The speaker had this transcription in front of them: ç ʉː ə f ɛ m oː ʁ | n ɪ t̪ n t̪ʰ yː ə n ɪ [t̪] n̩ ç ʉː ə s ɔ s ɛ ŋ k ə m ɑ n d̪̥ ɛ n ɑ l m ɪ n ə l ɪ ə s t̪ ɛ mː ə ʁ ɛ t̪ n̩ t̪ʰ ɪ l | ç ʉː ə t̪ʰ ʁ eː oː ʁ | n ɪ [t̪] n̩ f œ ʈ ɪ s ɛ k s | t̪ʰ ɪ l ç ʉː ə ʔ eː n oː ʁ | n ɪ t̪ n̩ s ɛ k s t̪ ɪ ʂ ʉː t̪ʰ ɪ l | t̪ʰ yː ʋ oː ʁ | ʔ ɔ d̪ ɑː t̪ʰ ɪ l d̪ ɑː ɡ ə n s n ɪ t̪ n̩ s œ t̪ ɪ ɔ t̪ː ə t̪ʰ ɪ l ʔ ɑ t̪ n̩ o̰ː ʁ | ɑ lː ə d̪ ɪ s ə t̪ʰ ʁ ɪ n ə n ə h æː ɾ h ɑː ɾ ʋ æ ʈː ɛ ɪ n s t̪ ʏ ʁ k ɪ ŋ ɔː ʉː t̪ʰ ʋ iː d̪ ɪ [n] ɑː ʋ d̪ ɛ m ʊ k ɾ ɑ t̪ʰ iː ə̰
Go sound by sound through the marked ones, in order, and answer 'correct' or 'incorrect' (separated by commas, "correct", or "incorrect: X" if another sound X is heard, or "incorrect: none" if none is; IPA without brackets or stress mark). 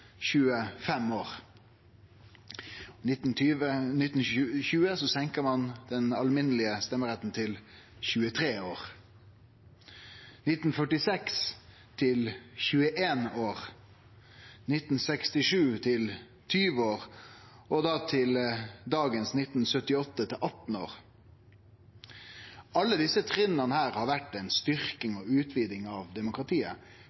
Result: correct, correct, incorrect: ŋ